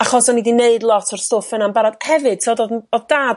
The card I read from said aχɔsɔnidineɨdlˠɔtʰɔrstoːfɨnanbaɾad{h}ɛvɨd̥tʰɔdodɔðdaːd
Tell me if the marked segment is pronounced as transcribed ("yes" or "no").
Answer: yes